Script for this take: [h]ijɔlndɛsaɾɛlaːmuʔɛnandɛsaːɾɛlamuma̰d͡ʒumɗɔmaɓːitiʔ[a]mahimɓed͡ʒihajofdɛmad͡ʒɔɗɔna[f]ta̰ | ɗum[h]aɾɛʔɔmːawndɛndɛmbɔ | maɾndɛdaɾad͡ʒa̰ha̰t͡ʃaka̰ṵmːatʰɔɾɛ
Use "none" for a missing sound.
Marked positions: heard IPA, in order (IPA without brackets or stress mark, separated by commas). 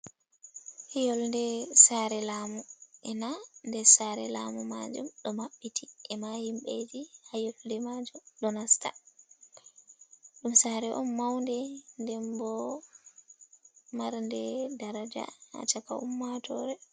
h, ɛ, s, s